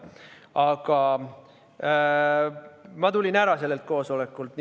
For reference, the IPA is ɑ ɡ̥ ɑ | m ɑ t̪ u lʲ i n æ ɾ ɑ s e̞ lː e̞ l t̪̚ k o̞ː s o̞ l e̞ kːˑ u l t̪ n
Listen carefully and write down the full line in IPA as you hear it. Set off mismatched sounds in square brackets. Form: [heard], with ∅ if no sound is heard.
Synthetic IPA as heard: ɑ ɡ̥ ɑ | m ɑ t̪ u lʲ i n æ ɾ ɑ s e̞ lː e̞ l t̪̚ k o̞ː s o̞ l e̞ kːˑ u l t̪ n